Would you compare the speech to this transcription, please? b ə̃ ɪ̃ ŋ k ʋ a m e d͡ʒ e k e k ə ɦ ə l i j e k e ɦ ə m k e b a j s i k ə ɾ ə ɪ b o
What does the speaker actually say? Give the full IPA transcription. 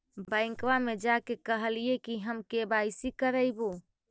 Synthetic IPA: b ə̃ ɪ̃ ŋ k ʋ a m e d͡ʒ a k e k ə ɦ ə l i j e k i ɦ ə m k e b a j s i k ə ɾ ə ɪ b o